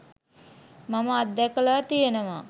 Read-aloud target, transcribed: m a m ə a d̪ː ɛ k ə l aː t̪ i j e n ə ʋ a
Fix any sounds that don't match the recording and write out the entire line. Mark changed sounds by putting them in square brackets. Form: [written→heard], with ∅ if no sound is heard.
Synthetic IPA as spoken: m a m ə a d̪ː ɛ k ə l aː t̪ i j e n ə ʋ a